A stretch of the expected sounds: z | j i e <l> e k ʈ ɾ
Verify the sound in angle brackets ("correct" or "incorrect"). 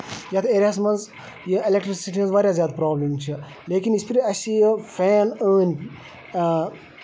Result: correct